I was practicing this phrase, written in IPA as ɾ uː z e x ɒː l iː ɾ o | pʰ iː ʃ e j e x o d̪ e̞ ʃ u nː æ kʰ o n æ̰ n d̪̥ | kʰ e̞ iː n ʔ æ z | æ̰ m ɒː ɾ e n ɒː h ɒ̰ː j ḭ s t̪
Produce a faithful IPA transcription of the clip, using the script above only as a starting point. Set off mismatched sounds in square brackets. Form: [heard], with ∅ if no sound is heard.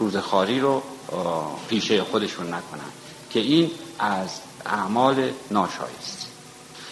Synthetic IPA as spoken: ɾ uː z e x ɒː [ɾ] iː ɾ o | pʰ iː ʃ e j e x o d̪ e̞ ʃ u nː æ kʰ o n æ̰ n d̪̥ | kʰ e̞ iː n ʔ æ z | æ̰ m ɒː [l] e n ɒː [ʃ] ɒ̰ː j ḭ s t̪